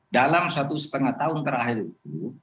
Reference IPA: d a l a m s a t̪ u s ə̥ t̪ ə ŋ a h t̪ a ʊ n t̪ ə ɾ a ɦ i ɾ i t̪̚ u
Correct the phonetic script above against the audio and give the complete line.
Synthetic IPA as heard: d a l a m s a t̪ u s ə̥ t̪ ə ŋ a h t̪ a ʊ n t̪ ə ɾ a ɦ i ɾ i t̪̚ u